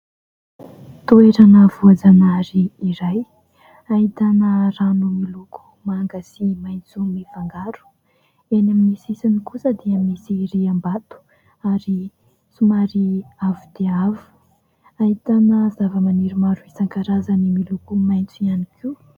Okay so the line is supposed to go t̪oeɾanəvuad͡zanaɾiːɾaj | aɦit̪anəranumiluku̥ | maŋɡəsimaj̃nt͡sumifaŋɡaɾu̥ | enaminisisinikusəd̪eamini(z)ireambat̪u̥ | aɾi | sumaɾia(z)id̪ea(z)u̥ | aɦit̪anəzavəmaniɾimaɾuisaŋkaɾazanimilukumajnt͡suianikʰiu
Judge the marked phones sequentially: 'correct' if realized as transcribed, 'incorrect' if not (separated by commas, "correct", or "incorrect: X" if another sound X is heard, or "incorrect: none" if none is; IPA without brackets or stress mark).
incorrect: s, incorrect: v, incorrect: v